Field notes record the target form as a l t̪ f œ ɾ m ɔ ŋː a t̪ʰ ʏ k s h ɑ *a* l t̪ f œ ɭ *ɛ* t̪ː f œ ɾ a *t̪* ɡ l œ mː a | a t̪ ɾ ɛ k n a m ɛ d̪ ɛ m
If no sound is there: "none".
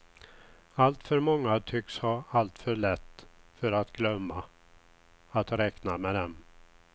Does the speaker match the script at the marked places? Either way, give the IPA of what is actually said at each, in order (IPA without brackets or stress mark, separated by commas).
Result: a, ɛ, t̪